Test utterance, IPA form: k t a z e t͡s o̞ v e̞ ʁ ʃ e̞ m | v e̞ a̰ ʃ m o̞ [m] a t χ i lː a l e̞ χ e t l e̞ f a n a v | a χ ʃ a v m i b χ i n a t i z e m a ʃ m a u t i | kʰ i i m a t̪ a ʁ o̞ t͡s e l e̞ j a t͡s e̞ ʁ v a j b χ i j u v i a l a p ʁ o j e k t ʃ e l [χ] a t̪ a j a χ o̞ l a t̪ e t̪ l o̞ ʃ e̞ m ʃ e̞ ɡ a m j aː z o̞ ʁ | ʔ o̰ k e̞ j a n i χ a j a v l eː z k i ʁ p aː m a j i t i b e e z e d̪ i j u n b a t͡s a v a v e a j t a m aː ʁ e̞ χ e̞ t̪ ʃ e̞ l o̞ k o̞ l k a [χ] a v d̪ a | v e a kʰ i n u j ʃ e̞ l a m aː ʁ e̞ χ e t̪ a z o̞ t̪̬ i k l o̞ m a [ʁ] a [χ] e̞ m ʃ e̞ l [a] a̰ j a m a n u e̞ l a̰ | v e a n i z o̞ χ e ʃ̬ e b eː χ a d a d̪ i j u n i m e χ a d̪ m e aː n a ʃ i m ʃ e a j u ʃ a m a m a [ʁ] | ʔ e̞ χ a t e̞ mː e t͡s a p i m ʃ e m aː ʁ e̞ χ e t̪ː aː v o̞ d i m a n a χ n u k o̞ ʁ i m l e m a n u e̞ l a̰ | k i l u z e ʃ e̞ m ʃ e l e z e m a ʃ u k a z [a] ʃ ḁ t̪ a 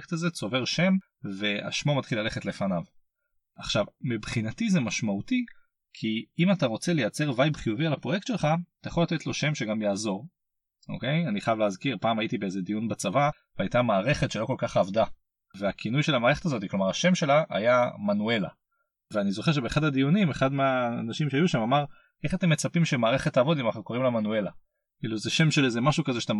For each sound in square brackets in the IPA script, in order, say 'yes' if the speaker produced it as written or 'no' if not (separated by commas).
yes, yes, yes, yes, no, yes, yes, no